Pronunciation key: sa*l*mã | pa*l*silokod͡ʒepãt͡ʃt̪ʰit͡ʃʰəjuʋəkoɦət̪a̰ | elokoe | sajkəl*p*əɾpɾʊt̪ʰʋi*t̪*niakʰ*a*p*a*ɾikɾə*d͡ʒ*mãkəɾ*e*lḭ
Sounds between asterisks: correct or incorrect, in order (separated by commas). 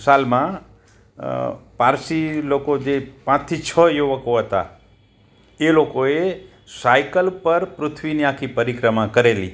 correct, incorrect, correct, incorrect, incorrect, incorrect, incorrect, correct